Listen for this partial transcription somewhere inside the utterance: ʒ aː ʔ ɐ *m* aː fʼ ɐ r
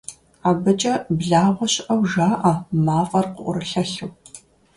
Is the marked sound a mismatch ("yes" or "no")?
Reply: no